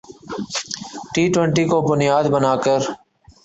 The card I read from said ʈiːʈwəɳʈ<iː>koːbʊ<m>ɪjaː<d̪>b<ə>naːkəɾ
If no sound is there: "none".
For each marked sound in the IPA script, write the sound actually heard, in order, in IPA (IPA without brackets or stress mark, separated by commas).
iː, n, d̪, ə